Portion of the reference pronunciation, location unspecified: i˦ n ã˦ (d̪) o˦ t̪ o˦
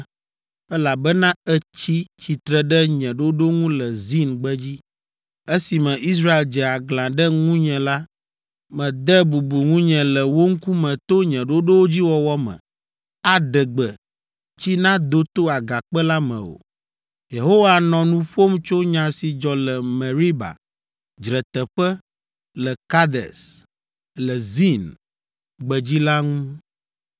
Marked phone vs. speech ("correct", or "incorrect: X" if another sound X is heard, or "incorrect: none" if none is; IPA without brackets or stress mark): correct